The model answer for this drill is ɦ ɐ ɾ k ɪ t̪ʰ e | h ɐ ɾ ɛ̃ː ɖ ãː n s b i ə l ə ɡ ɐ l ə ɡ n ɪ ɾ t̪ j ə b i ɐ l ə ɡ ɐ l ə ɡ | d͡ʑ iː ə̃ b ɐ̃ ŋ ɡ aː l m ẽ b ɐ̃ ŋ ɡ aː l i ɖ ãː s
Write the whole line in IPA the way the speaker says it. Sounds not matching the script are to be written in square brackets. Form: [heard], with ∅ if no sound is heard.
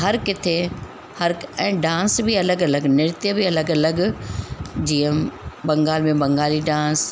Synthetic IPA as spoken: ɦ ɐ ɾ k ɪ t̪ʰ e | h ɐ ɾ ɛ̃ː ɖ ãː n s b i [ɐ] l ə ɡ ɐ l ə ɡ n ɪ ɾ t̪ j ə b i ɐ l ə ɡ ɐ l ə ɡ | d͡ʑ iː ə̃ b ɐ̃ ŋ ɡ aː l m ẽ b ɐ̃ ŋ ɡ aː l i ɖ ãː s

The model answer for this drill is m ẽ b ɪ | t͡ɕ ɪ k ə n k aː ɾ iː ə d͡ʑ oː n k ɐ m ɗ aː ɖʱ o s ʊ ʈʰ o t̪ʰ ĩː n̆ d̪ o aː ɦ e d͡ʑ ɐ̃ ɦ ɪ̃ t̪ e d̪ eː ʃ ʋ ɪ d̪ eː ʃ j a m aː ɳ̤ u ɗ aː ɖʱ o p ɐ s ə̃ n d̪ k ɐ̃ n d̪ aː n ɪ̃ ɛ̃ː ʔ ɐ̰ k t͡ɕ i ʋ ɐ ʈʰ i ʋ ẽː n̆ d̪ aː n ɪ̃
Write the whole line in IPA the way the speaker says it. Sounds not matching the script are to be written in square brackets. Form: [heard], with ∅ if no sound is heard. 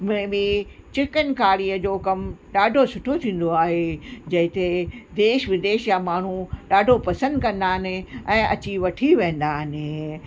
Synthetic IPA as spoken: m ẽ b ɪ | t͡ɕ ɪ k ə n k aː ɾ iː ə d͡ʑ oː [∅] k ɐ m ɗ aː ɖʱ o s ʊ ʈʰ o t̪ʰ ĩː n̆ d̪ o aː ɦ e d͡ʑ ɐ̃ ɦ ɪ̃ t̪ e d̪ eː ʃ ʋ ɪ d̪ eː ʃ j a m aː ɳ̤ u ɗ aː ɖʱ o p ɐ s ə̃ n d̪ k ɐ̃ n d̪ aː n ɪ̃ ɛ̃ː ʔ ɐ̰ [∅] t͡ɕ i ʋ ɐ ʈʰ i ʋ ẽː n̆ d̪ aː n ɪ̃

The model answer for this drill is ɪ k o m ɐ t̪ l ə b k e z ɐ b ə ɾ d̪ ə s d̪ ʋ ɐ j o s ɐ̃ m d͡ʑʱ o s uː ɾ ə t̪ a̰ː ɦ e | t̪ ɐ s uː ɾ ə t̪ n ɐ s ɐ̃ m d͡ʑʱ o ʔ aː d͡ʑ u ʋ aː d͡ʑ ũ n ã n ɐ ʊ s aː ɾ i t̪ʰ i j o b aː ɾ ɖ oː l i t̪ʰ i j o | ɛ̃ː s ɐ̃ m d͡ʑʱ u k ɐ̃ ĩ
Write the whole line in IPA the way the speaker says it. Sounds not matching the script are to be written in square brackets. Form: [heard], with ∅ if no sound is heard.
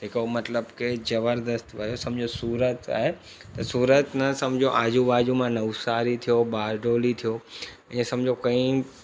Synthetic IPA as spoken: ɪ k o m ɐ t̪ l ə b k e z ɐ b ə ɾ d̪ ə s [t̪] ʋ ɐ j o s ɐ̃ m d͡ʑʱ o s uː ɾ ə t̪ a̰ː ɦ e | t̪ ɐ s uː ɾ ə t̪ n ɐ s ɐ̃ m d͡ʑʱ o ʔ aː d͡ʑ u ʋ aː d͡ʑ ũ [m] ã n ɐ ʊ s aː ɾ i t̪ʰ i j o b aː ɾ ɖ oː l i t̪ʰ i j o | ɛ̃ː s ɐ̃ m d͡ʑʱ [o] k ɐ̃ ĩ

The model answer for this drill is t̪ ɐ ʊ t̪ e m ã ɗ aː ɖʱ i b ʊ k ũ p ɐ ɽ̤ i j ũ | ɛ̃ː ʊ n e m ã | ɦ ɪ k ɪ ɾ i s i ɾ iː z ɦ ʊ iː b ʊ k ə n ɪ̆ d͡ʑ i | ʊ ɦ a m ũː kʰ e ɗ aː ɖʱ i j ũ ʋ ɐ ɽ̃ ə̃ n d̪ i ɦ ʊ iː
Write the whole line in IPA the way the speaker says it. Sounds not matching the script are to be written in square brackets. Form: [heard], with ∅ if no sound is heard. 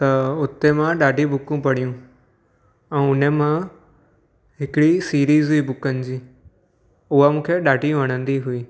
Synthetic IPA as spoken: t̪ ɐ ʊ t̪ e m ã ɗ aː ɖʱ i b ʊ k ũ p ɐ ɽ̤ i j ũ | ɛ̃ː ʊ n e m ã | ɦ ɪ k ɪ [ɽ] i s [iː] ɾ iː z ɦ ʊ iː b ʊ k ə n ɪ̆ d͡ʑ [iː] | ʊ ɦ a m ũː kʰ e ɗ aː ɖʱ i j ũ ʋ ɐ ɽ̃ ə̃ n d̪ i ɦ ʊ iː

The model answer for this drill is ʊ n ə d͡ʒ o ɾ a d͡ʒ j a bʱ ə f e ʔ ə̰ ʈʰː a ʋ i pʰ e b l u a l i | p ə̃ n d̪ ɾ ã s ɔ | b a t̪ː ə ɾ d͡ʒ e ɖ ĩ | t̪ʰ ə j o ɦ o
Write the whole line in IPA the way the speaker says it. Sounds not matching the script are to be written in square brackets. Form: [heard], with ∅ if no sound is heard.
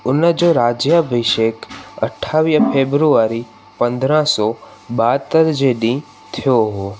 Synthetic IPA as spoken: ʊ n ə d͡ʒ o ɾ a d͡ʒ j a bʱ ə [ʃ] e [k] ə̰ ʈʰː a ʋ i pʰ e b [ɾ] u a [ɾ] i | p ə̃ n d̪ ɾ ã s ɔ | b a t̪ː ə ɾ d͡ʒ e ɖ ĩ | t̪ʰ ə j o ɦ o

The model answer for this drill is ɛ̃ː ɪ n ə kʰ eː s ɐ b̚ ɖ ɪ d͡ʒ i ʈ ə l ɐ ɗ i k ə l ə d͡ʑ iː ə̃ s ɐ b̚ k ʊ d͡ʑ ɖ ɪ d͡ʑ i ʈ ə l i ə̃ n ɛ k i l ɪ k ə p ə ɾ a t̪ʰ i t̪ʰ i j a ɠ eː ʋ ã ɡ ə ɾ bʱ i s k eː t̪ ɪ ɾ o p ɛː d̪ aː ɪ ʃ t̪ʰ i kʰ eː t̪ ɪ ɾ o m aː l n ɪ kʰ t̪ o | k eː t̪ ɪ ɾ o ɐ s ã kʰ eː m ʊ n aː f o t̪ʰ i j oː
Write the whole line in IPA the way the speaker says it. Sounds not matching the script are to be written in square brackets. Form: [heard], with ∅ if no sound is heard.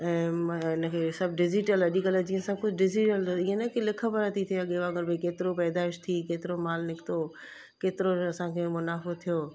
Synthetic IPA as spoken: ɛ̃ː ɪ n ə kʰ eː s ɐ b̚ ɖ ɪ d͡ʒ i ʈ ə l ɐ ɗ i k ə l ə d͡ʑ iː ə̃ s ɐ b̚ k ʊ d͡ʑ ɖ ɪ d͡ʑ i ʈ ə l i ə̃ n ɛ k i l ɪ [kʰ] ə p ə ɾ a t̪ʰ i t̪ʰ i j a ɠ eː ʋ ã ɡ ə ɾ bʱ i [∅] k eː t̪ ɪ ɾ o p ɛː d̪ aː ɪ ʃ t̪ʰ i [k] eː t̪ ɪ ɾ o m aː l n ɪ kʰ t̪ o | k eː t̪ ɪ ɾ o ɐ s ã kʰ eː m ʊ n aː f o t̪ʰ i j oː

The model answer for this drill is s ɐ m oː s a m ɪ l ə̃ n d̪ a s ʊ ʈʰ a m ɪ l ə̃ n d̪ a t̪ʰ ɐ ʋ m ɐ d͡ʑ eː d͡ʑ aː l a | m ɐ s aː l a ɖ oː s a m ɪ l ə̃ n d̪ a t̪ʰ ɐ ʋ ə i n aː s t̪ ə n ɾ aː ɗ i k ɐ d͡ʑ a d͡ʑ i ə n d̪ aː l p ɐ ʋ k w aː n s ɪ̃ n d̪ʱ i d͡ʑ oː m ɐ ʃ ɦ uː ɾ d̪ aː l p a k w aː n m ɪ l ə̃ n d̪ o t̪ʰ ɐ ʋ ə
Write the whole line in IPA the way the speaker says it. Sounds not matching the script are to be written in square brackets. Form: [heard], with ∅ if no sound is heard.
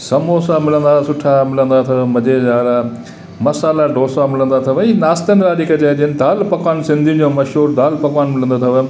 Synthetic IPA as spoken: s ɐ m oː s a m ɪ l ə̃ n d̪ a s ʊ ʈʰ a m ɪ l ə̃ n d̪ a t̪ʰ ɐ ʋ m ɐ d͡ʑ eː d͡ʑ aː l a | m ɐ s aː l a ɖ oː s a m ɪ l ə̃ n d̪ a t̪ʰ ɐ ʋ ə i n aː s t̪ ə n ɾ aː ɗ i k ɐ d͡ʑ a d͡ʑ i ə n d̪ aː l p ɐ [∅] k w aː n s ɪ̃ n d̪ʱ i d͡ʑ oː m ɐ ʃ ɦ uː ɾ d̪ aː l p [ɐ] k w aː n m ɪ l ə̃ n d̪ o t̪ʰ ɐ ʋ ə

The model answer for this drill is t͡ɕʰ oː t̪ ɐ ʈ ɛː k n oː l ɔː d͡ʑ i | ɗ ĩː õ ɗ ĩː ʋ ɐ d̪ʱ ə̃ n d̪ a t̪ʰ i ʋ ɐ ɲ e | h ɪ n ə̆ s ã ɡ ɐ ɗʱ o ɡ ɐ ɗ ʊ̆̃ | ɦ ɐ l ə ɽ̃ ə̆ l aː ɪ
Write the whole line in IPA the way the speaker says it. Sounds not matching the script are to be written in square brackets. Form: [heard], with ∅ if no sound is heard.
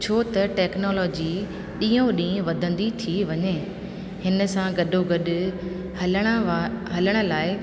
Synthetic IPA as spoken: t͡ɕʰ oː t̪ ɐ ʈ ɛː k n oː l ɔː d͡ʑ i | ɗ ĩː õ ɗ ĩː ʋ ɐ d̪ʱ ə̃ n d̪ [i] t̪ʰ i ʋ ɐ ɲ e | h ɪ n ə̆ s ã ɡ ɐ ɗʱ o ɡ ɐ ɗ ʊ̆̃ | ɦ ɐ l ə ɽ̃ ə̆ l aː ɪ

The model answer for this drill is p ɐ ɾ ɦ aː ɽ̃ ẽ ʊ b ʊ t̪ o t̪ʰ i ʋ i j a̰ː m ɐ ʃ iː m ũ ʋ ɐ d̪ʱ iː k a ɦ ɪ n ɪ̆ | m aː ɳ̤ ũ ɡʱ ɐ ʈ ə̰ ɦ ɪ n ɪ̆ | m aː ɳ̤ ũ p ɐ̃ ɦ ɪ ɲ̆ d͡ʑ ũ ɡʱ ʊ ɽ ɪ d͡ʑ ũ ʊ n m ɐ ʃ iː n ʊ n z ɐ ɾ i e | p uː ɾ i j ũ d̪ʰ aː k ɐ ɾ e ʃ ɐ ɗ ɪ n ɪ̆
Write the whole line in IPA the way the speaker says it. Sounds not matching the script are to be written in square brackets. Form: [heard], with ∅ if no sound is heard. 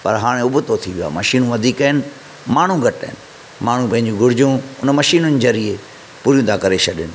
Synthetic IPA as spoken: p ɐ ɾ ɦ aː ɽ̃ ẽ ʊ b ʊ t̪ o t̪ʰ i ʋ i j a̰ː m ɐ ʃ iː [n] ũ ʋ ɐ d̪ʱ iː k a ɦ ɪ n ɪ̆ | m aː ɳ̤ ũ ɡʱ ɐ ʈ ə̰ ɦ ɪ n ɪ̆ | m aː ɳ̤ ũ p ɐ̃ ɦ ɪ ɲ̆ d͡ʑ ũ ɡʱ ʊ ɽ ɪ d͡ʑ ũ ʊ n m ɐ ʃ iː n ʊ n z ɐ ɾ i e | p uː ɾ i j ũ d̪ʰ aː k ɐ ɾ e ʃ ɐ ɗ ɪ n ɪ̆

